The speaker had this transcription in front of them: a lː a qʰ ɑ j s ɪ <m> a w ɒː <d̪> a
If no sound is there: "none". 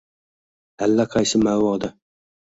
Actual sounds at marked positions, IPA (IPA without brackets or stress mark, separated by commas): m, d̪